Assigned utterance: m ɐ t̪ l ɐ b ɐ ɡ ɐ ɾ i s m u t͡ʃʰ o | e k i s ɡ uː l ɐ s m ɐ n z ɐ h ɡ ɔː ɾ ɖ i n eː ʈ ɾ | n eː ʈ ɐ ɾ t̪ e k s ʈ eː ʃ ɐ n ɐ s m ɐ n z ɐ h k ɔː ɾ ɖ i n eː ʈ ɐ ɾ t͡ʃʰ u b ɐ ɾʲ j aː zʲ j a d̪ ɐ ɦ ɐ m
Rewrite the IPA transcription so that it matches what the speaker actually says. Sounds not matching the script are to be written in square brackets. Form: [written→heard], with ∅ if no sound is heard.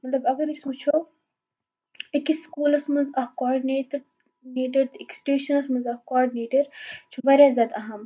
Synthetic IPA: m ɐ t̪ l ɐ b ɐ ɡ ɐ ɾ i s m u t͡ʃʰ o | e k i s [ɡ→k] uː l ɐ s m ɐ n z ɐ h [ɡ→k] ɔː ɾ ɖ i n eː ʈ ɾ | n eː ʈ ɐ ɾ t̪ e k s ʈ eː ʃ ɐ n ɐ s m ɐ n z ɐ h k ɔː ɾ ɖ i n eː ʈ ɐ ɾ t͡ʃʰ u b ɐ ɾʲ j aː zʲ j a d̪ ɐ ɦ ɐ m